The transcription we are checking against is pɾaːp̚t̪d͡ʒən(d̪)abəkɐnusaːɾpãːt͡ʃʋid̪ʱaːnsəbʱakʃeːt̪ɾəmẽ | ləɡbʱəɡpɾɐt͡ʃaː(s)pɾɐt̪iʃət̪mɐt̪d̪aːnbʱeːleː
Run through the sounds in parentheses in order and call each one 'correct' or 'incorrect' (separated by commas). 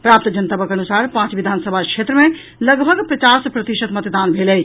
incorrect, correct